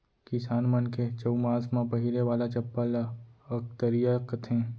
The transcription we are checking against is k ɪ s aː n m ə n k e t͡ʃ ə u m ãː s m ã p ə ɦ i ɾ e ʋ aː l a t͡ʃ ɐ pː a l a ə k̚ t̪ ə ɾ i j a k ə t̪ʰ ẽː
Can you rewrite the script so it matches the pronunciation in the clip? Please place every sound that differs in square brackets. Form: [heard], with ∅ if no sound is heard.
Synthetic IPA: k ɪ s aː n m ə n k e t͡ʃ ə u m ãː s m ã p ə ɦ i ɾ e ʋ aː l a t͡ʃ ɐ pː a l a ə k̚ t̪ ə ɾ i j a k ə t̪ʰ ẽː

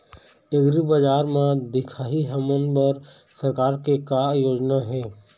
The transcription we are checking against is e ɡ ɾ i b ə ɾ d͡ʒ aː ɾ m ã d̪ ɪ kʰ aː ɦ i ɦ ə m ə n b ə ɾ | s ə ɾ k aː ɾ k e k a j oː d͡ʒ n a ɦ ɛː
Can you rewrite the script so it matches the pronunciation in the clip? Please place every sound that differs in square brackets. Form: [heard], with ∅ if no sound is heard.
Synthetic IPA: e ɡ ɾ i b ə [∅] d͡ʒ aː ɾ m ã d̪ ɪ kʰ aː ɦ i ɦ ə m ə n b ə ɾ | s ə ɾ k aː ɾ k e k a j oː d͡ʒ n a ɦ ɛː

